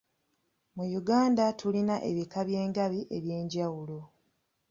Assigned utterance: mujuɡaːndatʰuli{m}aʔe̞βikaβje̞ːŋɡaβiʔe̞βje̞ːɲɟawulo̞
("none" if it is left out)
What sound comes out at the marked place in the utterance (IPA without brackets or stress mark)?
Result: n